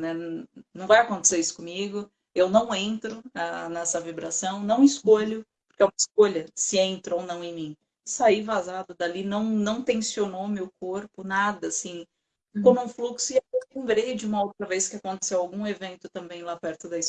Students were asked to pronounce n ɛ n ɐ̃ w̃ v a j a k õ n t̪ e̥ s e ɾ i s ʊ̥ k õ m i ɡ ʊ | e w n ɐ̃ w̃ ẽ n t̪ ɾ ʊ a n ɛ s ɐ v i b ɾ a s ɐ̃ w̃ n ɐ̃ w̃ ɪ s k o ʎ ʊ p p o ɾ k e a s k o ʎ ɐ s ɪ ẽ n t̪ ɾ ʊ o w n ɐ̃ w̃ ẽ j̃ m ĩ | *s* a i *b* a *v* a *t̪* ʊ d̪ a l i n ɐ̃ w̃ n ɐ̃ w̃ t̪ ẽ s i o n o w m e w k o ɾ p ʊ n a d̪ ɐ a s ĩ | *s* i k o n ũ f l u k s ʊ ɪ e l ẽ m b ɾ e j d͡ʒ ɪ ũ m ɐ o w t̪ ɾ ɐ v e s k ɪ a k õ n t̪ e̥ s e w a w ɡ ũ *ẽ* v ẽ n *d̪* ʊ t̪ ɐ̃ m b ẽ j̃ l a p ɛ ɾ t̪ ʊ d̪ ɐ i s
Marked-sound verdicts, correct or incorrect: correct, incorrect: v, incorrect: z, incorrect: d̪, incorrect: f, incorrect: e, incorrect: t̪

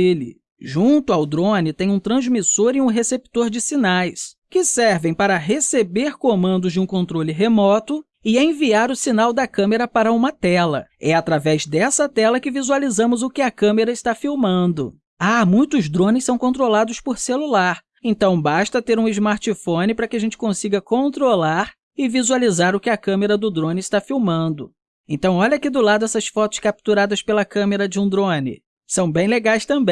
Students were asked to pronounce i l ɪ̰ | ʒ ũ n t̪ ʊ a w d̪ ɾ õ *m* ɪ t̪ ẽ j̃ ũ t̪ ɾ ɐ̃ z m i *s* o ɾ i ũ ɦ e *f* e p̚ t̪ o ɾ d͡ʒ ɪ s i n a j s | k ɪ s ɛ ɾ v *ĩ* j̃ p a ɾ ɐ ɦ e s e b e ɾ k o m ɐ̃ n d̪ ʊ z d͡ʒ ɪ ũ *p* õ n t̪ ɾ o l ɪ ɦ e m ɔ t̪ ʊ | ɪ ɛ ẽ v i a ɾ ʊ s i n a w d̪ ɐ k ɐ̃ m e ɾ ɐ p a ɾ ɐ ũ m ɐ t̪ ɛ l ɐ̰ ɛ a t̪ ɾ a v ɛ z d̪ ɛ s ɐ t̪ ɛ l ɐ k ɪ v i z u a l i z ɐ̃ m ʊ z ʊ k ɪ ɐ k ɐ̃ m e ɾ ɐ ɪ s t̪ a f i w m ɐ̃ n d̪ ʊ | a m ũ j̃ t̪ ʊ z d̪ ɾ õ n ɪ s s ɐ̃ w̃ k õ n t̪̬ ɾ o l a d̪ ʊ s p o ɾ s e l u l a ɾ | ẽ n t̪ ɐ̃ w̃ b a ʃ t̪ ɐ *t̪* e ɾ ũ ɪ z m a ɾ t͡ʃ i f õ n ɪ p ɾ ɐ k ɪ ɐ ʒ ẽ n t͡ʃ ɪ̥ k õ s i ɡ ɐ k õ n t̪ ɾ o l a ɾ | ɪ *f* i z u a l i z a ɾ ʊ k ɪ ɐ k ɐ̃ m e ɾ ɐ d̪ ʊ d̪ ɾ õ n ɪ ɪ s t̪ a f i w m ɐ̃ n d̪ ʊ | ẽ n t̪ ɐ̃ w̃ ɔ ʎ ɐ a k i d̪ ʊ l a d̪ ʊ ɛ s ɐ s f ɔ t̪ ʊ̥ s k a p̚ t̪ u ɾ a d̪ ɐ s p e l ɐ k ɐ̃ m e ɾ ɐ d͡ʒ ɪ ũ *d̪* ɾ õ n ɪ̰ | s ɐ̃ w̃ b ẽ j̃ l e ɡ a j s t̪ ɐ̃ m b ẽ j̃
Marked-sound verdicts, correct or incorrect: incorrect: n, correct, incorrect: s, incorrect: ẽ, incorrect: k, correct, incorrect: v, correct

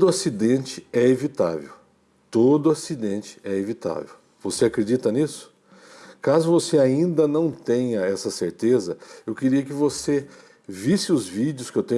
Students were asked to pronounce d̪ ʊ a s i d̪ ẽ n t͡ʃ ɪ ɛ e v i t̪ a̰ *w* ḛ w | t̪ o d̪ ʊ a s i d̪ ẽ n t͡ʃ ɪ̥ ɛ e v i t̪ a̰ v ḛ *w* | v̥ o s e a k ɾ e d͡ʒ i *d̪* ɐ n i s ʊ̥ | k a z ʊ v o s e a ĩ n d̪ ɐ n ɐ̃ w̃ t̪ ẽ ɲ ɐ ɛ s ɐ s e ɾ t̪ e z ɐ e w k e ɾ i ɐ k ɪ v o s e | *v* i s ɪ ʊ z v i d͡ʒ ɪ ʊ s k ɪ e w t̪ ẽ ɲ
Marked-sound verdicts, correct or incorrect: incorrect: v, correct, incorrect: t̪, correct

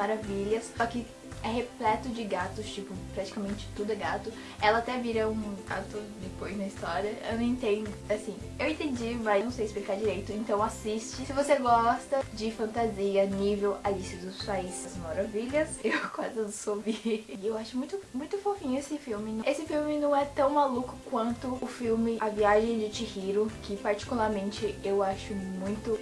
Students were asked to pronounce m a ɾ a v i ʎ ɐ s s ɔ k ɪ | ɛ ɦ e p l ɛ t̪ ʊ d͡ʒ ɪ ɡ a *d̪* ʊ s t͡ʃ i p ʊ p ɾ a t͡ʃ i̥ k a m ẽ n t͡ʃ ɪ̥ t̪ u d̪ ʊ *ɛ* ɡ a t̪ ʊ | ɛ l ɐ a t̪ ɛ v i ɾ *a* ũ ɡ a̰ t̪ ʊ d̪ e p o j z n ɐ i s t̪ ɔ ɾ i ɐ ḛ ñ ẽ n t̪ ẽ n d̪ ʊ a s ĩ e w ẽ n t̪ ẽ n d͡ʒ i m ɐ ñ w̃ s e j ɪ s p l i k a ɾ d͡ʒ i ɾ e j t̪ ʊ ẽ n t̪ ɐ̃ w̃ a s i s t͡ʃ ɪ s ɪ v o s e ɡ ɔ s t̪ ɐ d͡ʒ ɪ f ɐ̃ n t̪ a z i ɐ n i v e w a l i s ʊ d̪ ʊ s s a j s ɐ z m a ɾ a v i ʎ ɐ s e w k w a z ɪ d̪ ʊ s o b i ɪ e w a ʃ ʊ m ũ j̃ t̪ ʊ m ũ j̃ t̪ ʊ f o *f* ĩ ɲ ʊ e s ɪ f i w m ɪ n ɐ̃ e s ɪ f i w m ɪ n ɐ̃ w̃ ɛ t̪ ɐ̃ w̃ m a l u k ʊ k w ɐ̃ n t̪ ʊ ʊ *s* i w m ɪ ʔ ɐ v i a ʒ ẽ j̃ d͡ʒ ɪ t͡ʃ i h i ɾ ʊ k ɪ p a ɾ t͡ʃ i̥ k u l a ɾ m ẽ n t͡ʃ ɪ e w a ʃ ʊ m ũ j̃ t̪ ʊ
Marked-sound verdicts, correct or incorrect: incorrect: t̪, correct, incorrect: ɐ, correct, incorrect: f

